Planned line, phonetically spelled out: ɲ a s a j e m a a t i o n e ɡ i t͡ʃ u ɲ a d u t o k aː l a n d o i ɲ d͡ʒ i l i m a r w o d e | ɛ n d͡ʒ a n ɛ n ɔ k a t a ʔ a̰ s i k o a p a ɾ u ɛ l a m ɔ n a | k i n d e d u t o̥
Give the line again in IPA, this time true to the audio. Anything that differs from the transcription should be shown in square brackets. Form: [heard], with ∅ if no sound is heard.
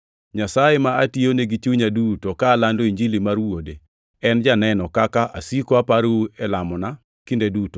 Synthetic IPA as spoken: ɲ a s a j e m a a t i o n e ɡ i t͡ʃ u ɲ a d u t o k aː l a n d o i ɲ d͡ʒ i l i m a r w o d e | ɛ n d͡ʒ a n ɛ n ɔ k a [k] a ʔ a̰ s i k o a p a ɾ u ɛ l a m ɔ n a | k i n d e d u t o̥